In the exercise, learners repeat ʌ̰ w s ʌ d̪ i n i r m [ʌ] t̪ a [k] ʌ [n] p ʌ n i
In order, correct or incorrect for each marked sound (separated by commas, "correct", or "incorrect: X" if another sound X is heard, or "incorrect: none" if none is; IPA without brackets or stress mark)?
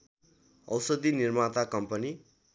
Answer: incorrect: a, correct, incorrect: m